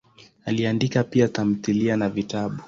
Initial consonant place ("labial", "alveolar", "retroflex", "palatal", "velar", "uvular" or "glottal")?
alveolar